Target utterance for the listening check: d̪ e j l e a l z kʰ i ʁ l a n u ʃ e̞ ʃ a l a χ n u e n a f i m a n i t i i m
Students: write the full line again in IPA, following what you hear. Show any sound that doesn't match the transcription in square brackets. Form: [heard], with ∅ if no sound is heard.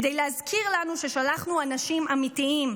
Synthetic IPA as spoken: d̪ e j l e a [∅] z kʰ i ʁ l a n u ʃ e̞ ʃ a l a χ n u [a] n a [ʃ] i m a [m] i t i i m